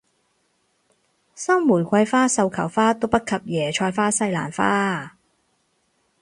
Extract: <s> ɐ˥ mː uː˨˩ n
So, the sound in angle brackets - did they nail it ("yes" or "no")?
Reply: yes